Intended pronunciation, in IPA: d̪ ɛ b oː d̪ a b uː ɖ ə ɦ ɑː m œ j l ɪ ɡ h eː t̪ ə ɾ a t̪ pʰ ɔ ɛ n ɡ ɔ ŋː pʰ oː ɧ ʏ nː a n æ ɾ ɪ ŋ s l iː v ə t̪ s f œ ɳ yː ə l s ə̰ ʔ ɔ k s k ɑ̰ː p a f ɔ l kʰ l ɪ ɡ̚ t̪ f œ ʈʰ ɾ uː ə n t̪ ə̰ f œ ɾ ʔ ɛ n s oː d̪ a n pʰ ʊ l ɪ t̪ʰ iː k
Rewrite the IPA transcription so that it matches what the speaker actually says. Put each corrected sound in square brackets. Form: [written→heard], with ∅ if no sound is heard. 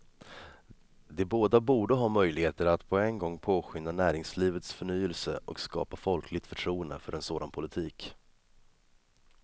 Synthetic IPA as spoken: d̪ ɛ b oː d̪ a b uː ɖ ə ɦ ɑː m œ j l ɪ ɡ h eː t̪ ə ɾ a t̪ pʰ ɔ ɛ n ɡ ɔ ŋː pʰ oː ɧ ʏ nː a n [æ→æː] ɾ ɪ ŋ s l iː v ə t̪ s f œ ɳ yː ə l s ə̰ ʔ ɔ k s k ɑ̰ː p a f ɔ l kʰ l ɪ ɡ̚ t̪ f œ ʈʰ ɾ uː ə n [t̪→d̪] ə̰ f œ ɾ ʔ ɛ n s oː d̪ a n pʰ ʊ l ɪ t̪ʰ iː k